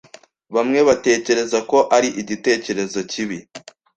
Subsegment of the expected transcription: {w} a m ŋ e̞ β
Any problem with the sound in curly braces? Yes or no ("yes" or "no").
yes